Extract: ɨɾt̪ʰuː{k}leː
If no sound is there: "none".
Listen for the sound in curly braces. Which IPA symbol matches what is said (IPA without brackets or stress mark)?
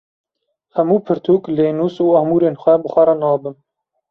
k